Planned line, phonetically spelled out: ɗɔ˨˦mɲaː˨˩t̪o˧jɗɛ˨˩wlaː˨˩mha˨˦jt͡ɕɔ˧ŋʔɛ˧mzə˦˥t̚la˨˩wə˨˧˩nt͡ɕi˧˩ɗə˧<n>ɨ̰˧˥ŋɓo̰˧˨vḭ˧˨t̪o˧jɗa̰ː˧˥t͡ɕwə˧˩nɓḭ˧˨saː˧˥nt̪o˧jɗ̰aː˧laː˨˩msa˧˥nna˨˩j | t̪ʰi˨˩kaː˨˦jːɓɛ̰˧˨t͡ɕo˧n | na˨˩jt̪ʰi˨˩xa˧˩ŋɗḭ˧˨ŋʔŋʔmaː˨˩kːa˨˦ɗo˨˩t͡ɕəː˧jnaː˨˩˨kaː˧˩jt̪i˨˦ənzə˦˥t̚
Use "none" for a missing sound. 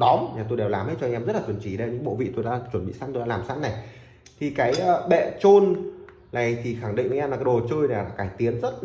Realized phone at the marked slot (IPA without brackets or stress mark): ɲ